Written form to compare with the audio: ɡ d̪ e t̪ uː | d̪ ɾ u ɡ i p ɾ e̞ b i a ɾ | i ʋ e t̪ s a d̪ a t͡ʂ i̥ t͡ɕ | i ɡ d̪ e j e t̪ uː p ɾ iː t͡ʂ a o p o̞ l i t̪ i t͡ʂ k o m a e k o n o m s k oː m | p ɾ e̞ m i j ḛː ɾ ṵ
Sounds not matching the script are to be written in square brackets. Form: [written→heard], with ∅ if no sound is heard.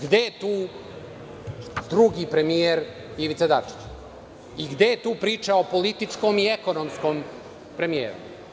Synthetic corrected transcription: ɡ d̪ e t̪ uː | d̪ ɾ u ɡ i p ɾ e̞ [b→m] i [a→e] ɾ | i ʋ [e→i] t̪ s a d̪ a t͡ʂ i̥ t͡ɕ | i ɡ d̪ e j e t̪ uː p ɾ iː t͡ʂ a o p o̞ l i t̪ i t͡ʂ k o m [a→i] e k o n o m s k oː m | p ɾ e̞ m i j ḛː ɾ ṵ